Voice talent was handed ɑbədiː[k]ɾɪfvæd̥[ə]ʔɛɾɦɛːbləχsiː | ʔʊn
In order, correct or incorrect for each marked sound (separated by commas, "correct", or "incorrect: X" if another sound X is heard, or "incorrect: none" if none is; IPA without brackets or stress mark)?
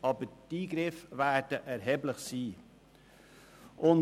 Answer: incorrect: ɡ, correct